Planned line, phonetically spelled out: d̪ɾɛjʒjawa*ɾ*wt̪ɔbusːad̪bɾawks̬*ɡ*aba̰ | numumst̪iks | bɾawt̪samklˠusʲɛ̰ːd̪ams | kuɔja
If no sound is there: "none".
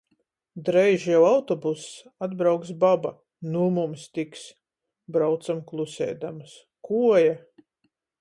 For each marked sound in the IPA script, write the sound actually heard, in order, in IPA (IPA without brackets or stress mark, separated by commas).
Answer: none, b